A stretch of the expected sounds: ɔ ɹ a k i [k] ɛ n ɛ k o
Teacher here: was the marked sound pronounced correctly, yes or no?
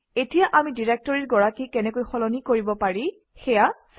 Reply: yes